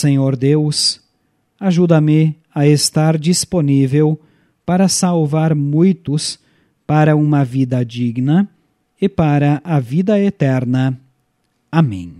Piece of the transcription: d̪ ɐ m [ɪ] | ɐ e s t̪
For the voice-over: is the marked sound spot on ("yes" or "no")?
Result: yes